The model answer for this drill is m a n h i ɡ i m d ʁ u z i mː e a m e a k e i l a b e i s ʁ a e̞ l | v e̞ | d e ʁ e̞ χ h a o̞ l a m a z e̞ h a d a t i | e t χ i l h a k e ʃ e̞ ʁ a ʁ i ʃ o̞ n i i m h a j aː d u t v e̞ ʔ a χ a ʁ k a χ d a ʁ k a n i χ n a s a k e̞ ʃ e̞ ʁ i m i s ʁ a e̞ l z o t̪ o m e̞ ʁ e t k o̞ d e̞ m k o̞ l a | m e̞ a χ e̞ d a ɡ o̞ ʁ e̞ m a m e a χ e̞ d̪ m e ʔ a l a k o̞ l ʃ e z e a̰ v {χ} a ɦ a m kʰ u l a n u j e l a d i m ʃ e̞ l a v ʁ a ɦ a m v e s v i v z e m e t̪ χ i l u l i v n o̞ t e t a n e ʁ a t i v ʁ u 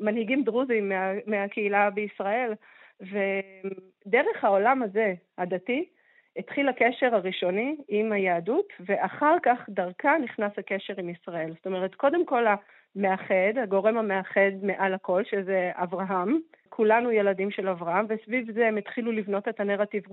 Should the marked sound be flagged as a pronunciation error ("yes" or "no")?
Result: yes